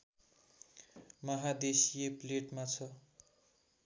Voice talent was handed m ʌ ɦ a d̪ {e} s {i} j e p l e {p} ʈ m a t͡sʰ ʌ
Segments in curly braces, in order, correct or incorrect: correct, correct, incorrect: none

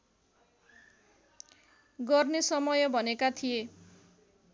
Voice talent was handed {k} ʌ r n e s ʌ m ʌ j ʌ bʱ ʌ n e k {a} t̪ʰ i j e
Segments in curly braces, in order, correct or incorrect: incorrect: ɡ, correct

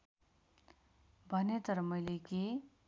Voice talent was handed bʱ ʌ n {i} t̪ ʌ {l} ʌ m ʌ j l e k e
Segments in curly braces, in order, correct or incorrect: incorrect: e, incorrect: ɾ

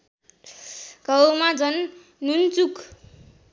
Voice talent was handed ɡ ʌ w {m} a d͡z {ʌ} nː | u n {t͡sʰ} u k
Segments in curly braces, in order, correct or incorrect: correct, correct, incorrect: t͡s

